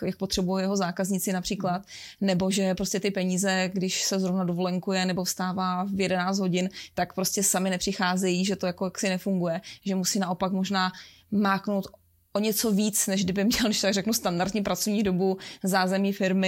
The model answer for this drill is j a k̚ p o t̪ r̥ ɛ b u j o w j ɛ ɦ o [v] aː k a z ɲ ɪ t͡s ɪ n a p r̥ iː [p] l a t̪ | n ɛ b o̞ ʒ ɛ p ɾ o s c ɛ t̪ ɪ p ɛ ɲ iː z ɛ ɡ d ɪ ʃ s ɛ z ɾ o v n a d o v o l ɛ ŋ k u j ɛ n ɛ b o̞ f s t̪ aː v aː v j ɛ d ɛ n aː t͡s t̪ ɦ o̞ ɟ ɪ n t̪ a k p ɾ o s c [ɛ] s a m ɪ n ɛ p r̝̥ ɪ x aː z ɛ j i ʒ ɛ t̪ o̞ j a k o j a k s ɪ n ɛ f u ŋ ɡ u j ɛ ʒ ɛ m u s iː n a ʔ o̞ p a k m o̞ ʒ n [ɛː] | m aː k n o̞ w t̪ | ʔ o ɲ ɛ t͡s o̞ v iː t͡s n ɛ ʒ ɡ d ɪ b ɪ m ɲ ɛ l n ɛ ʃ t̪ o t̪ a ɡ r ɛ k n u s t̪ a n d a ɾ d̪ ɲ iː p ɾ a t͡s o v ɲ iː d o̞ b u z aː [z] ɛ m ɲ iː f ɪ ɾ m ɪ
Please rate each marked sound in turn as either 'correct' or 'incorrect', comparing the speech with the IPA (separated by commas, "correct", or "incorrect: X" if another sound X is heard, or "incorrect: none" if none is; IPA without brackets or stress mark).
incorrect: z, incorrect: k, correct, incorrect: aː, correct